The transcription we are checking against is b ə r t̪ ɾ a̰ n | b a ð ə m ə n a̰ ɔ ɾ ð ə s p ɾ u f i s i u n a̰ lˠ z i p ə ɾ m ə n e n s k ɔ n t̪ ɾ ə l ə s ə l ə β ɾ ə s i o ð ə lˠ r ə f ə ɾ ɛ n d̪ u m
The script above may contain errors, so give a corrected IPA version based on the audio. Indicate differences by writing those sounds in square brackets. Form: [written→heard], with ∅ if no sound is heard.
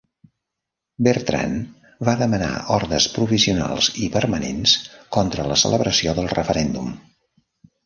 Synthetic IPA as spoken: b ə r t̪ ɾ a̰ n | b a ð ə m ə n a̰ ɔ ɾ ð ə s p ɾ u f i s i u n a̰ lˠ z i p ə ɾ m ə n e n s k ɔ n t̪ ɾ ə l ə s ə l ə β ɾ ə s i o ð ə lˠ r ə f ə ɾ ɛ n d̪ u m

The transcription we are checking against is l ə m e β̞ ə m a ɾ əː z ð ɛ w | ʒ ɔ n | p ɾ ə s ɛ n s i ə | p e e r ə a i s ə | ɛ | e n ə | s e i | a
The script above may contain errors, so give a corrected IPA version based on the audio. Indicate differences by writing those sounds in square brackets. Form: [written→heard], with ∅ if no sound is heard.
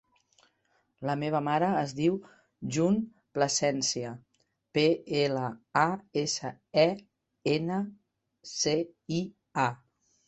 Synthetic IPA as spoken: l ə m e β̞ ə m a ɾ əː z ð [ɛ→i] w | ʒ [ɔ→u] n | p [ɾ→l] ə s ɛ n s i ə | p e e [r→l] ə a [i→e] s ə | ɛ | e n ə | s e i | a

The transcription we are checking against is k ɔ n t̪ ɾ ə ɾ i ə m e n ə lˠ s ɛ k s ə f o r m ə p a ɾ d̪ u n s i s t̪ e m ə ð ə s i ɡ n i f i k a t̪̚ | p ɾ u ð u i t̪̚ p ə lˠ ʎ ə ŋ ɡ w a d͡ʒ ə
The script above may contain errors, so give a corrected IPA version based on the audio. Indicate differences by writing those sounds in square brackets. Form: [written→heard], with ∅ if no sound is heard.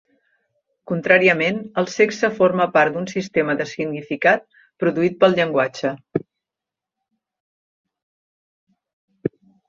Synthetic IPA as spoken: k [ɔ→u] n t̪ ɾ [ə→a] ɾ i ə m e n ə lˠ s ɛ k s ə f o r m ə p a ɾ d̪ u n s i s t̪ e m ə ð ə s i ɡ n i f i k a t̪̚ | p ɾ u ð u i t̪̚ p ə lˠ ʎ ə ŋ ɡ w a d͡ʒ ə

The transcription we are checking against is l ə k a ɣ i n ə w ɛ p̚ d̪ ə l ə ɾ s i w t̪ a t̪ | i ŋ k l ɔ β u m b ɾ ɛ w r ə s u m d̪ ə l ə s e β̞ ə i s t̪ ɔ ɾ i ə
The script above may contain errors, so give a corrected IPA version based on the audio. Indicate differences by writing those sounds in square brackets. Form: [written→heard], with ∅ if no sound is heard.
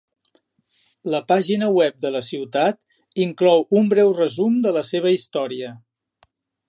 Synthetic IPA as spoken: l ə [k→p] a [ɣ→ʒ] i n ə w ɛ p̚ d̪ ə l ə [ɾ→∅] s i w t̪ a t̪ | i ŋ k l ɔ [β→w] u m b ɾ ɛ w r ə [s→z] u m d̪ ə l ə s e β̞ ə i s t̪ ɔ ɾ i ə

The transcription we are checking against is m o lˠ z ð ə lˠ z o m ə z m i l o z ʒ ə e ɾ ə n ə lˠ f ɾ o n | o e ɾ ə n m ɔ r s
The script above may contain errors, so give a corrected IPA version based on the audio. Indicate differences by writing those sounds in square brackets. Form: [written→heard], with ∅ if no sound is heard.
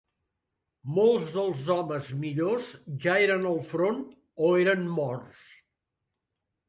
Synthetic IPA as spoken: m o lˠ z ð ə lˠ z [o→ɔ] m ə z m i [l→ʎ] o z ʒ [ə→a] e ɾ ə n ə lˠ f ɾ o n | o e ɾ ə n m ɔ r s

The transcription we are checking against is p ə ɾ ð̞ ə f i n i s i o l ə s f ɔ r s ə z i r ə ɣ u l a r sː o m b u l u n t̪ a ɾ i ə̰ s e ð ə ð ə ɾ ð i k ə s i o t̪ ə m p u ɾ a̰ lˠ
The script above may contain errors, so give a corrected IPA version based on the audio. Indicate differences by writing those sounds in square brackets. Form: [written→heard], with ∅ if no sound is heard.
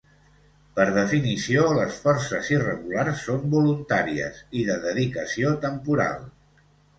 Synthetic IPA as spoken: p ə ɾ ð̞ ə f i n i s i o l ə s f ɔ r s ə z i r ə ɣ u l a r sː o m b u l u n t̪ a ɾ i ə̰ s [e→i] ð ə ð ə [ɾ→∅] ð i k ə s i o t̪ ə m p u ɾ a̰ lˠ

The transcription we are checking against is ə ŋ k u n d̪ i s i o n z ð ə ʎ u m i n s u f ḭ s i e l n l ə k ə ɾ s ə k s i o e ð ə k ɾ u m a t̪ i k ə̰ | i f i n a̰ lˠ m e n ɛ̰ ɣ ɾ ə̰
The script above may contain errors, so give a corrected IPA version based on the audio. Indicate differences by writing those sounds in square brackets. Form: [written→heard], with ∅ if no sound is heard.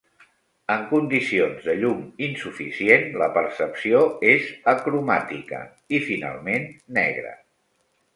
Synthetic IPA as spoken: ə ŋ k u n d̪ i s i o n z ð ə ʎ u m i n s u f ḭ s i e [l→∅] n l ə [k→p] ə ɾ s ə [k→p] s i o e [ð→z] ə k ɾ u m a t̪ i k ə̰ | i f i n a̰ lˠ m e [n→nː] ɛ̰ ɣ ɾ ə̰

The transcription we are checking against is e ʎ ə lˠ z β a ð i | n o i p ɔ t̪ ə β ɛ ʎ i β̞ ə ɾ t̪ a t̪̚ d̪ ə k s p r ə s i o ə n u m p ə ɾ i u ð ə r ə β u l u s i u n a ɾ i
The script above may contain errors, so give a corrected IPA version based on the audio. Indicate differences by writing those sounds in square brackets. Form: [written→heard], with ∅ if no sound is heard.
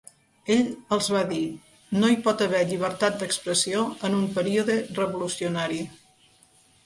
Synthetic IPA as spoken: e ʎ ə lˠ z β a ð i | n o i p ɔ t̪ ə β ɛ ʎ i β̞ ə ɾ t̪ a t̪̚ d̪ ə k s p [r→ɾ] ə s i o ə n u m p ə ɾ i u ð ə r ə β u l u s i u n a ɾ i

